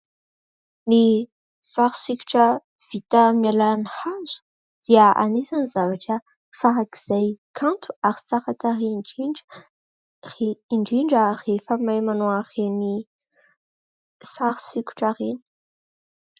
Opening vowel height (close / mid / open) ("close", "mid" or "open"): close